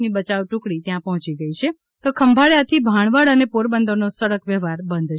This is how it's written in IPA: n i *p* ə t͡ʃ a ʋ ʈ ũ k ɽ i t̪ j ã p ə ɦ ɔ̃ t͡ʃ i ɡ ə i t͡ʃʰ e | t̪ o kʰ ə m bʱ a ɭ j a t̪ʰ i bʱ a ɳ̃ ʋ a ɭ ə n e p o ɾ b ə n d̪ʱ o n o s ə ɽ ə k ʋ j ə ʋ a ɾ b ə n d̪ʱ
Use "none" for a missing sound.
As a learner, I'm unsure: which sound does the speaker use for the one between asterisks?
b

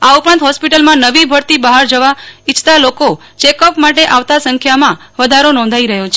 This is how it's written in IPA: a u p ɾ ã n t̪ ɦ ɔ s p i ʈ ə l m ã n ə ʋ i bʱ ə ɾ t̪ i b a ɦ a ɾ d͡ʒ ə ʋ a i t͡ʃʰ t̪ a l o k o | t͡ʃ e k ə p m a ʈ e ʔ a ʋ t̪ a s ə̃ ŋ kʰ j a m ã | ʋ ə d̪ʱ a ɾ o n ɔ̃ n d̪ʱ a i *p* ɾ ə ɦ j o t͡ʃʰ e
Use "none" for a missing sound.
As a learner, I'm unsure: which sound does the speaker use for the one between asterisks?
none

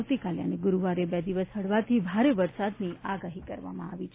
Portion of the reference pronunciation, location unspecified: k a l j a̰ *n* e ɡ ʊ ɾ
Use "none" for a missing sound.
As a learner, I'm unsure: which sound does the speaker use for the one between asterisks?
n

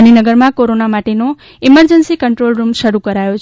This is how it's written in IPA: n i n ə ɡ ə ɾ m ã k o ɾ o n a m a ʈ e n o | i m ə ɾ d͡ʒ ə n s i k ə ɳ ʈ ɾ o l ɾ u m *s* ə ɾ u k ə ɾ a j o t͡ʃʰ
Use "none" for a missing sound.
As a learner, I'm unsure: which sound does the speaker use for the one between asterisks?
ʃ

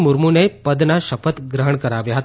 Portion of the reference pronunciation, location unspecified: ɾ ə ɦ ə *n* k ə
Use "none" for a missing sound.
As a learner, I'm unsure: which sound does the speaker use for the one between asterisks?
ɳ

